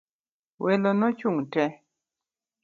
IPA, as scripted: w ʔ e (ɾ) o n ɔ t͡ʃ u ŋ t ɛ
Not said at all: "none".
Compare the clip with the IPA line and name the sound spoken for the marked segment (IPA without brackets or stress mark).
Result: l